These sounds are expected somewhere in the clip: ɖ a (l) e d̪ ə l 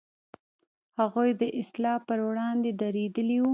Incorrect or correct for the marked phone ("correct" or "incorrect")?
incorrect